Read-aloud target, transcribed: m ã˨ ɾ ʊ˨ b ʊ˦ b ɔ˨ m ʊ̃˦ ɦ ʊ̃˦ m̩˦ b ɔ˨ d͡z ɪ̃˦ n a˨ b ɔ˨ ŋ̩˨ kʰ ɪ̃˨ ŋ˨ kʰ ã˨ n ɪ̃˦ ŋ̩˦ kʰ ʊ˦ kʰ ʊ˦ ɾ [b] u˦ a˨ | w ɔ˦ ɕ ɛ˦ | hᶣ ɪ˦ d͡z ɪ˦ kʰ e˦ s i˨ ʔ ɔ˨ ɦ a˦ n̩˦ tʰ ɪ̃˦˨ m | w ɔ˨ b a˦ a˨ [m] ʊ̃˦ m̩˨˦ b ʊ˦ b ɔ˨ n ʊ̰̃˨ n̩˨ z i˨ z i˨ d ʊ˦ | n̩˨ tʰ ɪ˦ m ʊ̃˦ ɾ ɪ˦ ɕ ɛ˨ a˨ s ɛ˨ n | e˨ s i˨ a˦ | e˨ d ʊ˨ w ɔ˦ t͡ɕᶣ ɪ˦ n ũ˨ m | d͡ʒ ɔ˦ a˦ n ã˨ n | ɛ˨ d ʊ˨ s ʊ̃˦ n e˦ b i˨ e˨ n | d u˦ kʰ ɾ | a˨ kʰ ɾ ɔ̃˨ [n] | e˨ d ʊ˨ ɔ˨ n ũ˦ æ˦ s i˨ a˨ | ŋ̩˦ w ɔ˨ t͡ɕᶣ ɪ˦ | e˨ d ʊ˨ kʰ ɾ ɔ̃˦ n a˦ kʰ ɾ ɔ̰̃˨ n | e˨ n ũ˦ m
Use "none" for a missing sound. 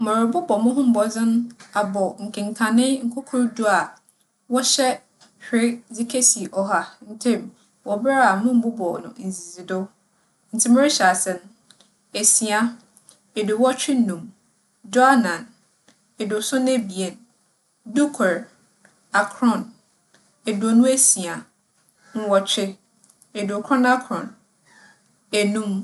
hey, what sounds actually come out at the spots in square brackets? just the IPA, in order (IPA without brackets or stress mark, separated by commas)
d, m, n